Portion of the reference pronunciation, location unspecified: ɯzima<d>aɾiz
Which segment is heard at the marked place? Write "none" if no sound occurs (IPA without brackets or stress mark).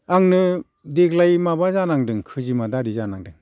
d